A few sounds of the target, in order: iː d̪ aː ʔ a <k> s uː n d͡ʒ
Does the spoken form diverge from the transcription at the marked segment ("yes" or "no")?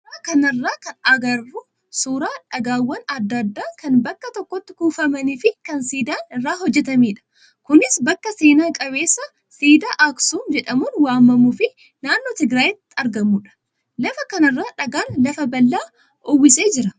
no